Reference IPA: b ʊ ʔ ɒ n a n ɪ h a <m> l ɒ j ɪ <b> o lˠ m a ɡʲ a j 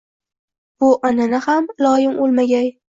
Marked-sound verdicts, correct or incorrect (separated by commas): correct, incorrect